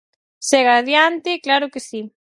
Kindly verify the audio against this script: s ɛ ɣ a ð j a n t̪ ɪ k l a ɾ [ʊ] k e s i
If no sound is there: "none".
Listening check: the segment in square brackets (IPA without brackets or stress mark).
ʊ